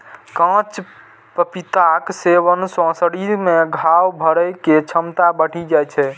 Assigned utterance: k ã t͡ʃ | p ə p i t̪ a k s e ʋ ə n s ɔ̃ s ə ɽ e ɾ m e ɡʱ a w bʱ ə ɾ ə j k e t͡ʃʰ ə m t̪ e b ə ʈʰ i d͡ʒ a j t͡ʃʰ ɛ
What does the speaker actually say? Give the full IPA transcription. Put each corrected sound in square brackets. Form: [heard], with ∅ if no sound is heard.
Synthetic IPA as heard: k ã t͡ʃ | p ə p i t̪ a k s e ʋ ə n s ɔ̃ s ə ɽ [i] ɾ m e ɡʱ a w bʱ ə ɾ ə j k e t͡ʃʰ ə m t̪ [a] b ə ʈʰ i d͡ʒ a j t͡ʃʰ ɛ